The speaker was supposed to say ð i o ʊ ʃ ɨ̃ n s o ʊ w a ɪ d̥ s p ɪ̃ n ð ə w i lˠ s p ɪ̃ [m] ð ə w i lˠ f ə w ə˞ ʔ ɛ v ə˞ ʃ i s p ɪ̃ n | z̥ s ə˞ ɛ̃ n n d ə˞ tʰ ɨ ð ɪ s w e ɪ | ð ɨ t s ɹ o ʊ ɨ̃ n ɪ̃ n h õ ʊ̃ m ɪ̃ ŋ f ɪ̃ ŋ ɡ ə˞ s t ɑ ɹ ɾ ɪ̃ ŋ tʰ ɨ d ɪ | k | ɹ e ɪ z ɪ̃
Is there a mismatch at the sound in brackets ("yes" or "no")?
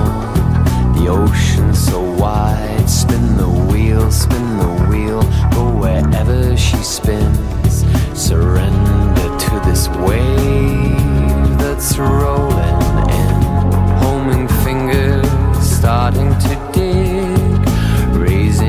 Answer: yes